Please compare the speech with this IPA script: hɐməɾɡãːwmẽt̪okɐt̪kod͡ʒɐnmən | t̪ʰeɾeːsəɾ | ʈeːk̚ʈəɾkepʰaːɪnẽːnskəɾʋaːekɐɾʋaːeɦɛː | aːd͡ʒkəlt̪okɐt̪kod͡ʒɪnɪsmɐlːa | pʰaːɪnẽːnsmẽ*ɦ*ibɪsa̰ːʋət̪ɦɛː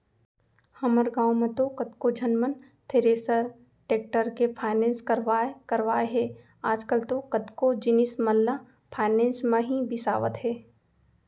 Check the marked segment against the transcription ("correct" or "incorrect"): correct